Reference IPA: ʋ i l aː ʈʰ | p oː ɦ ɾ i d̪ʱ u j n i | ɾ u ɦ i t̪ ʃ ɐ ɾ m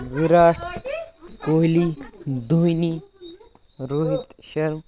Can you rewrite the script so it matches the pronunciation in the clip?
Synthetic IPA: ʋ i ɾ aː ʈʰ | k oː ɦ l i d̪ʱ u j n i | ɾ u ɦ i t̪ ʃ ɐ ɾ m